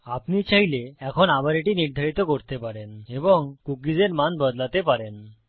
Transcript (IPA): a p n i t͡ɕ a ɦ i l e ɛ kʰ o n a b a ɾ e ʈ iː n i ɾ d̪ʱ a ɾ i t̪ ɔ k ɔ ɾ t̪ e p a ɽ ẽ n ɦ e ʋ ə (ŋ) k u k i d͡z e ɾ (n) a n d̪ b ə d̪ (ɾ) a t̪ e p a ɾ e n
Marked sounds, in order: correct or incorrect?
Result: correct, incorrect: m, incorrect: l

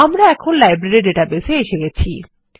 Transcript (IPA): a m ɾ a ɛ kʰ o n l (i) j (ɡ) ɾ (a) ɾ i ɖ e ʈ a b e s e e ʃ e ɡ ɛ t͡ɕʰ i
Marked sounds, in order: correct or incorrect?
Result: incorrect: a, incorrect: b, incorrect: e

